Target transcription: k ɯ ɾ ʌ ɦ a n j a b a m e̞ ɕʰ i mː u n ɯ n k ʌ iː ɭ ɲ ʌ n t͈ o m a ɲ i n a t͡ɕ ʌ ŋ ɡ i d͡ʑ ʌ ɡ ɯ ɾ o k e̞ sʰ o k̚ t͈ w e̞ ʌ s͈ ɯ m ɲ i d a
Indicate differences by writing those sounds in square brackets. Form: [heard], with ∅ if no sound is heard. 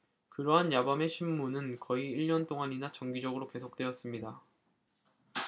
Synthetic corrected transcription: k ɯ ɾ ʌ ɦ a n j a b a m e̞ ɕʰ i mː u n ɯ n k ʌ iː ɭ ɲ ʌ n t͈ o [ŋ] a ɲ i n a t͡ɕ ʌ ŋ ɡ i d͡ʑ ʌ ɡ ɯ ɾ o k e̞ sʰ o k̚ t͈ w e̞ ʌ s͈ ɯ m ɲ i d a